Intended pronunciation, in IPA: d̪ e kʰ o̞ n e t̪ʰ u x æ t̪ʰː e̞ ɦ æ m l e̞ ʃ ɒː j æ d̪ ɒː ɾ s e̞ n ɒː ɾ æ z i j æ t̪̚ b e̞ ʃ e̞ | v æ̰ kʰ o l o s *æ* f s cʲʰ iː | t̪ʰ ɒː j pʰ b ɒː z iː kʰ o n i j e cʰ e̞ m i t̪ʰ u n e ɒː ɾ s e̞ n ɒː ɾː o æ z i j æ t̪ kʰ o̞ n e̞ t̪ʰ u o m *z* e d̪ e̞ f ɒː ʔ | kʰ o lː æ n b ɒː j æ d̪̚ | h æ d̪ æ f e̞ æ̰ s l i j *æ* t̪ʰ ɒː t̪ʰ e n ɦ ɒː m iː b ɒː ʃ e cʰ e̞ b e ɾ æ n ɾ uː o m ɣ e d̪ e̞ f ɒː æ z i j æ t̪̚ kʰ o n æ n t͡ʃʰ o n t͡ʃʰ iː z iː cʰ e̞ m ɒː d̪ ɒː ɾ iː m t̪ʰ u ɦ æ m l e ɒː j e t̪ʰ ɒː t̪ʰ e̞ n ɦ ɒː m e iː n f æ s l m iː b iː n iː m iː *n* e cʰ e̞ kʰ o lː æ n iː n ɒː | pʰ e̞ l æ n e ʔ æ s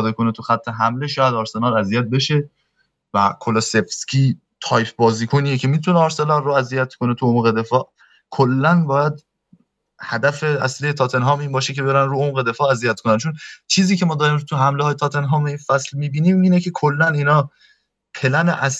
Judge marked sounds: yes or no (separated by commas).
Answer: no, no, no, yes